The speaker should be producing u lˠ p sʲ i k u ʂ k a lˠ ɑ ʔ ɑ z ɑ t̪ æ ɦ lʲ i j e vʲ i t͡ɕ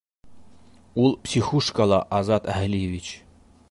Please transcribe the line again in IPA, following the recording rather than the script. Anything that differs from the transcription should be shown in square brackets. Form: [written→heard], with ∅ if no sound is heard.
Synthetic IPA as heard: u lˠ p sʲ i [k→x] u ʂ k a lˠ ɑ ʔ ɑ z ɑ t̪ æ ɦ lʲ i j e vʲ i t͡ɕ